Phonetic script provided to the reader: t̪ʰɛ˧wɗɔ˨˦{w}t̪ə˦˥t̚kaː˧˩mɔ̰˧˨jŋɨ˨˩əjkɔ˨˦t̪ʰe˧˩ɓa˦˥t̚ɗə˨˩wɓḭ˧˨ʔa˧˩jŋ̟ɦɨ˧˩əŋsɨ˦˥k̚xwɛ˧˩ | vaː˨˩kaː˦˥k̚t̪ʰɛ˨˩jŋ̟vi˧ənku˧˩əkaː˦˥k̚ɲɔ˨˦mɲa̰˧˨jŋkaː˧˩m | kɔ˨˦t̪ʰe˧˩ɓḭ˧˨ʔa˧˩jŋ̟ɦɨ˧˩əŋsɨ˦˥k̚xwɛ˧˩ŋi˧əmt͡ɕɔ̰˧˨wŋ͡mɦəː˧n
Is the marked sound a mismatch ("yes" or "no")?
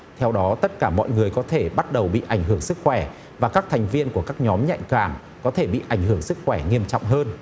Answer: yes